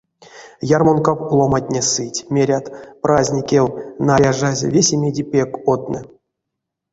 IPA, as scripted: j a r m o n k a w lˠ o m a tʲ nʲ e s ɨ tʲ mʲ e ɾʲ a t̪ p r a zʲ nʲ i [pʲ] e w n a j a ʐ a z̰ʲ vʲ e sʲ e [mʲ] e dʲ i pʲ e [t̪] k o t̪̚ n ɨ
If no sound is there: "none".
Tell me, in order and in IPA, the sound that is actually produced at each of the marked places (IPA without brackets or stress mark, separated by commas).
kʲ, mʲ, none